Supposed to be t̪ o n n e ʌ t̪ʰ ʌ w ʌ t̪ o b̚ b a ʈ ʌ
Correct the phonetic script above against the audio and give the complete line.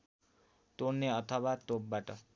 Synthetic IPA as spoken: t̪ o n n e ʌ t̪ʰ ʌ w a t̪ o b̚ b a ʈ ʌ